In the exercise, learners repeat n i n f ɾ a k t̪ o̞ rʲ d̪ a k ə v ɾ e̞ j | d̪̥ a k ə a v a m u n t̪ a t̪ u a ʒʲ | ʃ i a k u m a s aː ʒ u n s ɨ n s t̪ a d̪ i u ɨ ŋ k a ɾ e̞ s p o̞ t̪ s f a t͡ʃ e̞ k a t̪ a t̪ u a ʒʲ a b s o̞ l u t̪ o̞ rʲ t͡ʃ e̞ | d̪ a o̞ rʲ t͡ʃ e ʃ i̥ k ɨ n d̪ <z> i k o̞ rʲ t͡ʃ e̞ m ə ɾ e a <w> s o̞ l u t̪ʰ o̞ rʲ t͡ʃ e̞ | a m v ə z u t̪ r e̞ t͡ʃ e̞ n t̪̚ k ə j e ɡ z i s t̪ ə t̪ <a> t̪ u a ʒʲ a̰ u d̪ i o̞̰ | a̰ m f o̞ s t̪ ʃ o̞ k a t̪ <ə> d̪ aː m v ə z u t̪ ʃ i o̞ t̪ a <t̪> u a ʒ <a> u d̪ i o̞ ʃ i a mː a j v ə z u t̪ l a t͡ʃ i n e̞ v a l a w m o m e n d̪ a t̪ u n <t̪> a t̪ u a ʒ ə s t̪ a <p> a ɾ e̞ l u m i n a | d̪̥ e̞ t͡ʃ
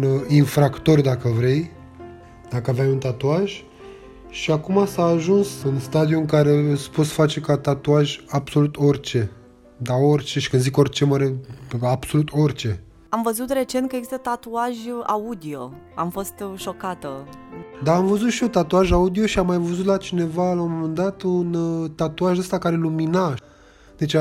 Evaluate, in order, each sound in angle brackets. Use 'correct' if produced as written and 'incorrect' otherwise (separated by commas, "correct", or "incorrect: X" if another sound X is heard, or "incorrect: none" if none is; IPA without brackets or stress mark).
correct, incorrect: b, correct, correct, correct, correct, correct, incorrect: k